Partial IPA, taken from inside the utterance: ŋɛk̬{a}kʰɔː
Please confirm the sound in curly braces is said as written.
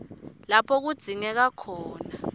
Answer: yes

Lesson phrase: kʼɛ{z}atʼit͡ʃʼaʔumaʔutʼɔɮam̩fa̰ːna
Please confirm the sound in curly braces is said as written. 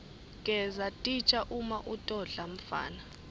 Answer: yes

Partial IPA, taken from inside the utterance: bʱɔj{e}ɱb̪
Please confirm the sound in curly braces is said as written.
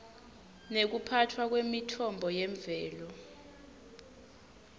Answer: no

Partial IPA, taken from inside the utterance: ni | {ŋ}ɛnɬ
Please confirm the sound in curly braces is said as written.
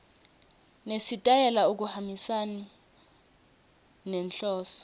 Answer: no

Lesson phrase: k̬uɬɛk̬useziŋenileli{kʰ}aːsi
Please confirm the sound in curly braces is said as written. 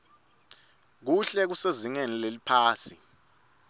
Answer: no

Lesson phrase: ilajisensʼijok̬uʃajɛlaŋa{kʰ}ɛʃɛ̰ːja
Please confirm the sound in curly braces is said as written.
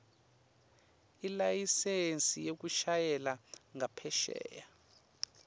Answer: no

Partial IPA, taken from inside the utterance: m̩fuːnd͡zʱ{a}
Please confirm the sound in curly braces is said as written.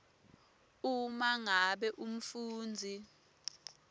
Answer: no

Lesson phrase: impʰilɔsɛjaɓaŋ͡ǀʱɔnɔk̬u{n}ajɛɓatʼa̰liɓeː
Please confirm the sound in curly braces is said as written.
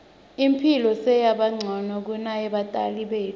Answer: yes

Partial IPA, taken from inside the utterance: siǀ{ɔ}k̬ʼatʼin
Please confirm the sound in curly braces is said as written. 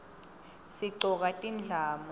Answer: yes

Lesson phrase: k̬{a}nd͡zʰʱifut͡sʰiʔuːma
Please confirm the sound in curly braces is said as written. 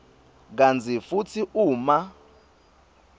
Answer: yes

